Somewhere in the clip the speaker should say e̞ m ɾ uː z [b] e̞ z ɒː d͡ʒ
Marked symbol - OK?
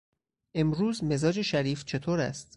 no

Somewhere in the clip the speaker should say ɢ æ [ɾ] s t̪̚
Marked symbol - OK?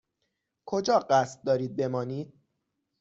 no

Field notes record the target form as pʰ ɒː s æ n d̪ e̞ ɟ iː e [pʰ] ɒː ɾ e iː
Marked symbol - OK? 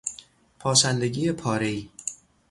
yes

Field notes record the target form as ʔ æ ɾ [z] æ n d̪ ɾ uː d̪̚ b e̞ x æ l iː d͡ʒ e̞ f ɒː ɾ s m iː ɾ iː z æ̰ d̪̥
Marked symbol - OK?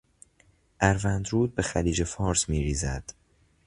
no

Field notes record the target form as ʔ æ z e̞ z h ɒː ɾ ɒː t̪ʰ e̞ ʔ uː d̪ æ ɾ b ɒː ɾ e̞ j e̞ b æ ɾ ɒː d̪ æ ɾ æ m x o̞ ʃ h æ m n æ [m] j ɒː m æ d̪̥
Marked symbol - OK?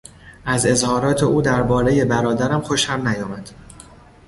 no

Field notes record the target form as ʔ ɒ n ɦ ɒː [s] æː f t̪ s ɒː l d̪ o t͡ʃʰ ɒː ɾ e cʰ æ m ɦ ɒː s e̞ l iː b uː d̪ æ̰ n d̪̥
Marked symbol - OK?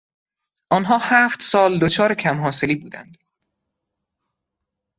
no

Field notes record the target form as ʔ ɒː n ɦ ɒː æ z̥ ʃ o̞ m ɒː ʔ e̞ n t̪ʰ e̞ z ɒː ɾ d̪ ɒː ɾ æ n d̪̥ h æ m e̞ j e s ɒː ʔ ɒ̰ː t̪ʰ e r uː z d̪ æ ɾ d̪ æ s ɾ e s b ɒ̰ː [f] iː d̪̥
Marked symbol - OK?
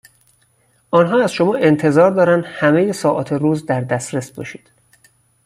no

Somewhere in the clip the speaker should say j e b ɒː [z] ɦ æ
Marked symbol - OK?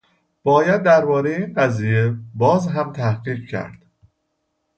yes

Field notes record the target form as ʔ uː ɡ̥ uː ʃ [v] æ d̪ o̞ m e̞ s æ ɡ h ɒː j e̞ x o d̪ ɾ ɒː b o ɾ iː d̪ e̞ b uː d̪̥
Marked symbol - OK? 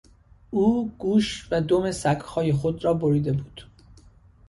yes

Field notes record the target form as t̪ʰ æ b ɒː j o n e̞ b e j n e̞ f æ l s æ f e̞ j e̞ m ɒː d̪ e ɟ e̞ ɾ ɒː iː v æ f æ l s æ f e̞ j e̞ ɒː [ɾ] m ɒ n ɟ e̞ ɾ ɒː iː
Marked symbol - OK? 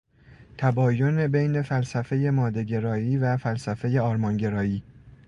yes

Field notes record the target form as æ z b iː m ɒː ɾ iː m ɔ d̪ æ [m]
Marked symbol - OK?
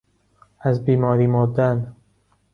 no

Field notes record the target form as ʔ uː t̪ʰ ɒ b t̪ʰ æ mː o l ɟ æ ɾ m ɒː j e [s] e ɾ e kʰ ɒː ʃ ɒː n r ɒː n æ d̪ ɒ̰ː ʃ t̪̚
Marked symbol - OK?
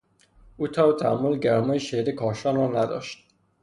no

